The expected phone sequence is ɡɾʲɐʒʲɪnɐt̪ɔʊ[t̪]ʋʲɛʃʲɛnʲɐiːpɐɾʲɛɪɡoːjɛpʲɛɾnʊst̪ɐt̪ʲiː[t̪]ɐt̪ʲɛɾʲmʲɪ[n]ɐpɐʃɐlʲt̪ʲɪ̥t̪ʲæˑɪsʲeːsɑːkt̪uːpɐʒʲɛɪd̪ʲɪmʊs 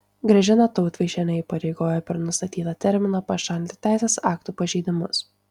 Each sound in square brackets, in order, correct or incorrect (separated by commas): correct, correct, correct